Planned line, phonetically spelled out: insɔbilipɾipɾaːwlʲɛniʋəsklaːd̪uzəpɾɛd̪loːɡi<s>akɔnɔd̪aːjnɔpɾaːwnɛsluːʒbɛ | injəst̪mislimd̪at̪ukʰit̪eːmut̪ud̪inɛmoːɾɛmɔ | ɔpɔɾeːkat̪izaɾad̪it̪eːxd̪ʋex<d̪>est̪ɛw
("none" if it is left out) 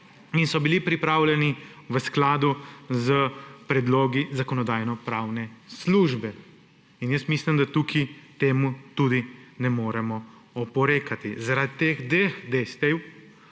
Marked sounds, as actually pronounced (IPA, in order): z, d̪

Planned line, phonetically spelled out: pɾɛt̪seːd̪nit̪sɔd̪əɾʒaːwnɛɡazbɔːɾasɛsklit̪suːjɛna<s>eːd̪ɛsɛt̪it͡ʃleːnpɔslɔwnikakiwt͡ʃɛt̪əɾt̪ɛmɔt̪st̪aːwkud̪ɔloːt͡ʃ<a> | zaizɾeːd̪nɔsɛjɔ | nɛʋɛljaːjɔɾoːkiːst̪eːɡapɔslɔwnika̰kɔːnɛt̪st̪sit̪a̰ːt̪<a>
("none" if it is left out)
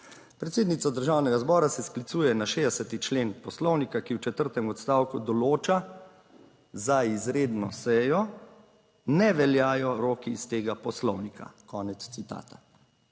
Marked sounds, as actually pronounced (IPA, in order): ʃ, a, a

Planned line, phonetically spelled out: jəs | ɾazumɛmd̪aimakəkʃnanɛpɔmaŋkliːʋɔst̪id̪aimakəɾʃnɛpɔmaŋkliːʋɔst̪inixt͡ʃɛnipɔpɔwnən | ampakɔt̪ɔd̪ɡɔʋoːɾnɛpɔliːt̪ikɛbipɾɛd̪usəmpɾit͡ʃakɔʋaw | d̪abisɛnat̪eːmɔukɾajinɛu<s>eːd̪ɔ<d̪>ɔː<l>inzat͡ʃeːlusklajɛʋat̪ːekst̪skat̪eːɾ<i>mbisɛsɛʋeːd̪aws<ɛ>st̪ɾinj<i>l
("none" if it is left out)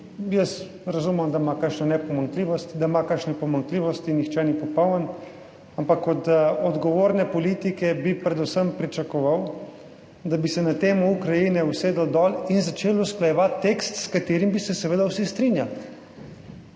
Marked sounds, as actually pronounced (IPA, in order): s, d̪, l, i, i, a

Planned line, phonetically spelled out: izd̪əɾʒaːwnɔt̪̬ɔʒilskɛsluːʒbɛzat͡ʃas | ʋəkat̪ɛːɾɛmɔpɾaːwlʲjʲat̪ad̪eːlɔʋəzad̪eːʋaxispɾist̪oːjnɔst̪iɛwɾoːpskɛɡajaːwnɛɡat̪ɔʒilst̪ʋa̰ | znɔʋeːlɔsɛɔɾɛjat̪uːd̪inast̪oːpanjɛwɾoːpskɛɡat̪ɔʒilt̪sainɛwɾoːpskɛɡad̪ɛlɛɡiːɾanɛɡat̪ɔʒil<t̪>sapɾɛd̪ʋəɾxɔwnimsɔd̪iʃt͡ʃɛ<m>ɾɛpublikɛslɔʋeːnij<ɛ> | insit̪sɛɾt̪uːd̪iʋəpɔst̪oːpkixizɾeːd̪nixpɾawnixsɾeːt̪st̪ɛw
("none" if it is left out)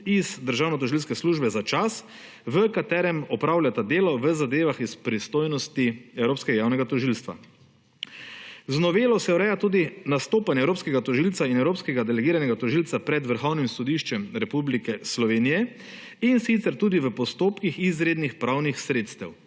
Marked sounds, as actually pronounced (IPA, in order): t̪, m, ɛ

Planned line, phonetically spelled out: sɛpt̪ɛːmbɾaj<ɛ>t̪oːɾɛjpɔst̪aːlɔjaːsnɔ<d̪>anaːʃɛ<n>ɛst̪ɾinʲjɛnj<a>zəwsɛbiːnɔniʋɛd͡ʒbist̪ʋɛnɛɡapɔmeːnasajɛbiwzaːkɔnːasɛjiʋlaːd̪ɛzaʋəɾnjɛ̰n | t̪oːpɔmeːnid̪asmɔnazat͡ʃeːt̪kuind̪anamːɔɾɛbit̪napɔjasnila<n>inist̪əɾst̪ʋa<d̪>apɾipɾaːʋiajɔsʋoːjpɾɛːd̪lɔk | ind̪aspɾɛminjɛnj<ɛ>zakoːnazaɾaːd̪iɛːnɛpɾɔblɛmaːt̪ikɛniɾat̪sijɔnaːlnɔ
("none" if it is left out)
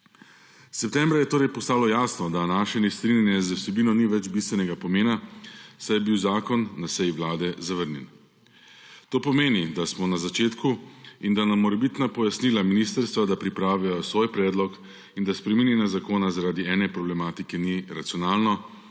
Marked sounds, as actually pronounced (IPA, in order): ɛ, d̪, n, ɛ, m, d̪, a

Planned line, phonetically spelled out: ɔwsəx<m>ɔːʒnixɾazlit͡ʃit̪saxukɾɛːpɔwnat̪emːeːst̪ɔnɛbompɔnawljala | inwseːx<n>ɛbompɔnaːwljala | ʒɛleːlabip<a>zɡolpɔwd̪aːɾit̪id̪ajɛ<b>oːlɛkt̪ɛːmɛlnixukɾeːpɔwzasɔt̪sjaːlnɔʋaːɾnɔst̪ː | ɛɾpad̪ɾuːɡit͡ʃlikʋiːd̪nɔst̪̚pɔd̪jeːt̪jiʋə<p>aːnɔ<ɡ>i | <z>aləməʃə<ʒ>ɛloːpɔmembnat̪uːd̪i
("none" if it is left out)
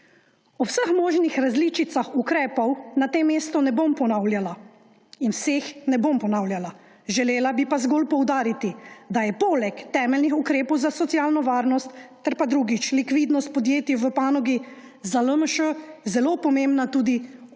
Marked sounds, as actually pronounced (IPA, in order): m, n, a, p, p, ɡ, z, z

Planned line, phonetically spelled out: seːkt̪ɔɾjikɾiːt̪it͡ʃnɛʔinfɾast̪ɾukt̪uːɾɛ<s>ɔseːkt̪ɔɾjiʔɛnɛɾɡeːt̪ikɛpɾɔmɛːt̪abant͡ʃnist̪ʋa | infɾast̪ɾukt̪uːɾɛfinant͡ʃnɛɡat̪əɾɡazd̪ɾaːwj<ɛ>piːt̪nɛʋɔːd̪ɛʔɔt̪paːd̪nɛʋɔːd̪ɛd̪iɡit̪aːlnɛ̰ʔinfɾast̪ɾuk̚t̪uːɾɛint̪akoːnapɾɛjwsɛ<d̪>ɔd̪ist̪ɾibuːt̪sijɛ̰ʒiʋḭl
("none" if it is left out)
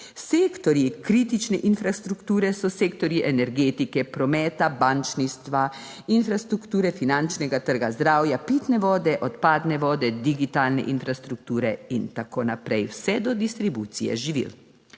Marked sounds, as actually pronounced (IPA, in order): s, a, d̪

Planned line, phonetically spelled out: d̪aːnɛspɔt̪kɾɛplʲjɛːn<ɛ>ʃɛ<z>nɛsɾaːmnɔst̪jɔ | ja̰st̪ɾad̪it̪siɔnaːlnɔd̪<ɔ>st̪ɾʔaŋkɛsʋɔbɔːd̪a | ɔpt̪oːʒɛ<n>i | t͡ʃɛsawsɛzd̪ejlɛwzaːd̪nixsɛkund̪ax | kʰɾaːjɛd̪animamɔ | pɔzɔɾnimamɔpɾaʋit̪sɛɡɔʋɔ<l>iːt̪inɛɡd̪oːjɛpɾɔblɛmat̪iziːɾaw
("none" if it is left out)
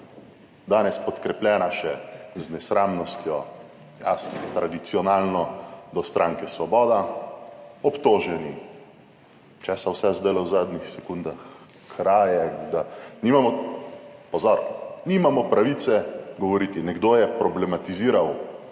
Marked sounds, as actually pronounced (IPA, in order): a, z, ɔ, n, ɾ

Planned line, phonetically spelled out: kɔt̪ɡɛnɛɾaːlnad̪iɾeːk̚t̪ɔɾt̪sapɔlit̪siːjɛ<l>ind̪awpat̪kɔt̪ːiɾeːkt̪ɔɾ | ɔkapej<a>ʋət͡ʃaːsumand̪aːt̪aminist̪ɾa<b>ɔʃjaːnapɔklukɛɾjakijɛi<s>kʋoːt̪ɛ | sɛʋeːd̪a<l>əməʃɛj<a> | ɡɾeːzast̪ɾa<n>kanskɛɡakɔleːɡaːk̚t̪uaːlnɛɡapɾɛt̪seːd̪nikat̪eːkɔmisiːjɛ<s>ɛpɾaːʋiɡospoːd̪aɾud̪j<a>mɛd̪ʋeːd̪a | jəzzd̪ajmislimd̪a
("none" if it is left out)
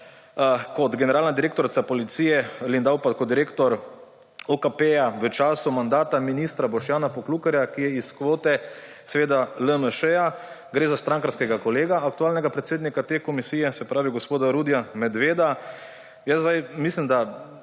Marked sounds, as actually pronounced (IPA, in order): l, a, b, s, l, a, ŋ, s, a

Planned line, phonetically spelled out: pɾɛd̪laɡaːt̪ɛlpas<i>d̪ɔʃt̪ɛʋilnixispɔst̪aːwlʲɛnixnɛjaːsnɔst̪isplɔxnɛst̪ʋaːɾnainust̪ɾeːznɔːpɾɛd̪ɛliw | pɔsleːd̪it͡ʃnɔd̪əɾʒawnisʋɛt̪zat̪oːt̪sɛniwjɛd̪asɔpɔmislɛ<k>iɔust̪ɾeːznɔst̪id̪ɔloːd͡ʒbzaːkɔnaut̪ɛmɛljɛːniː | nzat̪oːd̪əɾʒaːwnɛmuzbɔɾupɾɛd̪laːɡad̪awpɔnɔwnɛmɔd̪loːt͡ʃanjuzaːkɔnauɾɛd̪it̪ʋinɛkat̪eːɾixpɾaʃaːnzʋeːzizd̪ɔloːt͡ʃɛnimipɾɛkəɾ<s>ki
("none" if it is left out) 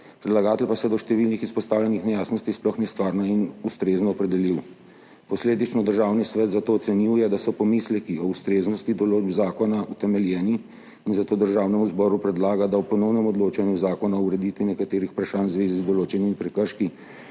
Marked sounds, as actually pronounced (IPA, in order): ɛ, k, ʃ

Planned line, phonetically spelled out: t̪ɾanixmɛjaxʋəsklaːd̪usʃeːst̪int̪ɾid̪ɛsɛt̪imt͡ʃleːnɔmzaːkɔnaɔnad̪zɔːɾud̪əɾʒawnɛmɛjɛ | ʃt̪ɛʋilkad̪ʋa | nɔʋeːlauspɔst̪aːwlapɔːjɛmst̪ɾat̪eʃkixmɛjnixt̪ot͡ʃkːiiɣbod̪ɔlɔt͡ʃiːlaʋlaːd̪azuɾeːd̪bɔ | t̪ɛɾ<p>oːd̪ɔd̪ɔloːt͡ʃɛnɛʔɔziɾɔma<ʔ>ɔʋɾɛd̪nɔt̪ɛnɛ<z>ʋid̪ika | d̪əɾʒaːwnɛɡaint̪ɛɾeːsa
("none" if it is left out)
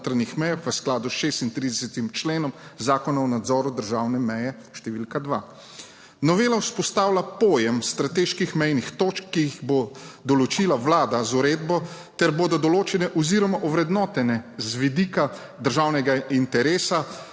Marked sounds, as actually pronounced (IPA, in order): b, ʔ, z

